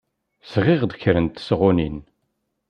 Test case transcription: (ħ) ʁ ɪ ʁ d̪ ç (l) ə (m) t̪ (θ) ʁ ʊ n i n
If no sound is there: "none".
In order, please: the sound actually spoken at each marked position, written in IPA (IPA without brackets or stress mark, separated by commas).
s, ɾ, n, s